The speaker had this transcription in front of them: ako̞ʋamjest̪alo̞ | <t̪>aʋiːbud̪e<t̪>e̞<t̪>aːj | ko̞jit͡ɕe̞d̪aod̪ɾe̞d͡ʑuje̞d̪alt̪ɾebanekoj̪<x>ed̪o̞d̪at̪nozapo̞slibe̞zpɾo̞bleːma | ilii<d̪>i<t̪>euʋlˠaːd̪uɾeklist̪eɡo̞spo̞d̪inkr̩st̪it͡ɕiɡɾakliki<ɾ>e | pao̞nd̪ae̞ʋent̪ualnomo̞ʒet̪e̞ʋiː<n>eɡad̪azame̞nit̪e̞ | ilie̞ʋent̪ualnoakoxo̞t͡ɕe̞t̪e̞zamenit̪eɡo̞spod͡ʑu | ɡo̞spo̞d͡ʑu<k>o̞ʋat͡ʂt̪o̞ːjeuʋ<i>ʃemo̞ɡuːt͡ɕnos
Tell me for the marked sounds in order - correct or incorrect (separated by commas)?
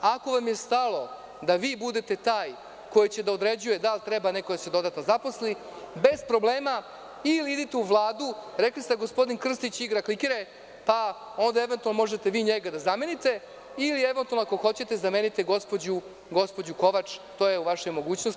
incorrect, correct, correct, incorrect, correct, correct, correct, incorrect, correct, incorrect